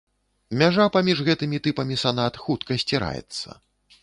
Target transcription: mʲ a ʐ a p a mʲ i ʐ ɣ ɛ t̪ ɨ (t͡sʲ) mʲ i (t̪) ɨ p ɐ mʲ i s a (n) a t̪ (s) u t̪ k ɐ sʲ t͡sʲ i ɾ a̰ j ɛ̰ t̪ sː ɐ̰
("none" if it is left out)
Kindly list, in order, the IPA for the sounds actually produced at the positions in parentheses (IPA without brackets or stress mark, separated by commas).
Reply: none, t̪, n, x